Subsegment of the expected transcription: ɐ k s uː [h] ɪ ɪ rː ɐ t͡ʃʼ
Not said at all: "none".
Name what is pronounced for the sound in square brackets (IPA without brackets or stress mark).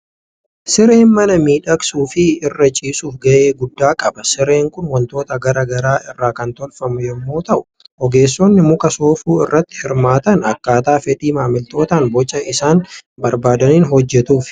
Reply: f